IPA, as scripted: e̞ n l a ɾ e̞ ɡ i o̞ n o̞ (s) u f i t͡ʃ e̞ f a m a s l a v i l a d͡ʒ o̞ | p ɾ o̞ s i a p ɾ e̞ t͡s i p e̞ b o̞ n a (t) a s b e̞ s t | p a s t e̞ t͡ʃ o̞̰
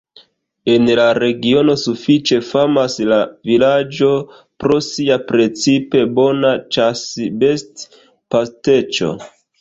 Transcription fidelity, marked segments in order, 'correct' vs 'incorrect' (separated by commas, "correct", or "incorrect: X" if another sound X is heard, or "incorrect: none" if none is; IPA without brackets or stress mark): correct, incorrect: t͡ʃ